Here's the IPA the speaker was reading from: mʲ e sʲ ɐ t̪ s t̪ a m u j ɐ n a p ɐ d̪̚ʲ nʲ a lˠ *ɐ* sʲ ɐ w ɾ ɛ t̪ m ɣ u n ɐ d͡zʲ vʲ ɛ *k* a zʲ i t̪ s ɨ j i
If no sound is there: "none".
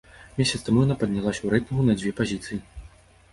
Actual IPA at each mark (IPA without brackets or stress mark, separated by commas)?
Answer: a, p